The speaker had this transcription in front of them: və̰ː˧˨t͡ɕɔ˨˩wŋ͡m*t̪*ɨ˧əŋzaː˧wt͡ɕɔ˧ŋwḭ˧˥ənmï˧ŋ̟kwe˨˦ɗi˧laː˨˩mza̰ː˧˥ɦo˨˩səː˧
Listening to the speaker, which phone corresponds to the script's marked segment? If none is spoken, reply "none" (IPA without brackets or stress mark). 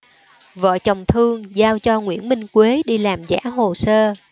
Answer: t̪ʰ